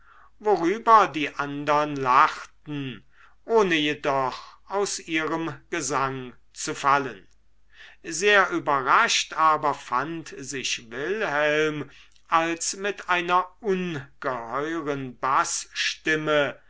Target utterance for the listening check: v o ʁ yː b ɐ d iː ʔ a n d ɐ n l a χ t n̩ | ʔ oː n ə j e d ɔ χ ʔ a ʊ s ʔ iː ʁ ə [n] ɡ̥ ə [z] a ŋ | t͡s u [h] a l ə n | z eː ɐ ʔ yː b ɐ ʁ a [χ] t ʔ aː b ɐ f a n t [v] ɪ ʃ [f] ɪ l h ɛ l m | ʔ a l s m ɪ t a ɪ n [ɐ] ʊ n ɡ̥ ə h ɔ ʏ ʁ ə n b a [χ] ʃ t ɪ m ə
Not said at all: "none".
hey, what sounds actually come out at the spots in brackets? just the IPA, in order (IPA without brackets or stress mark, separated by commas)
m, z, f, ʃ, z, v, ɐ, s